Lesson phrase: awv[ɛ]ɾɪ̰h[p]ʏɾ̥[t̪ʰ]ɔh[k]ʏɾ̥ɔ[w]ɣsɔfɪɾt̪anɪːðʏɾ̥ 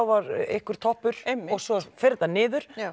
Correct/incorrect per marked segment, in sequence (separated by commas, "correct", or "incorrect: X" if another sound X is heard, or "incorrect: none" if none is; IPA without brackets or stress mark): incorrect: a, incorrect: k, correct, incorrect: p, incorrect: none